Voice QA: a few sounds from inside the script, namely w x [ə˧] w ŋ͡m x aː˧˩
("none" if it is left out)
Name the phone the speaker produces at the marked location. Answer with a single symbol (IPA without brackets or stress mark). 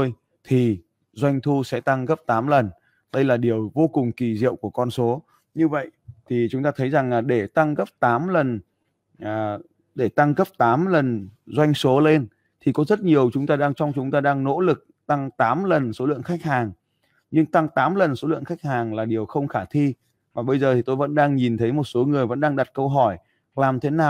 ə˧